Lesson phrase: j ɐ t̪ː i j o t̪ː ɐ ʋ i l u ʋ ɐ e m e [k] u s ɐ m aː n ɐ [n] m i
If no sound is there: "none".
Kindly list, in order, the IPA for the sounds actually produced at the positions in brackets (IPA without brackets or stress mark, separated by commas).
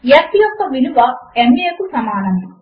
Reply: k, none